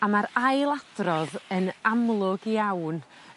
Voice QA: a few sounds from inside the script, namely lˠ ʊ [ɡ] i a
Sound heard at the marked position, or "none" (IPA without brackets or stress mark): ɡ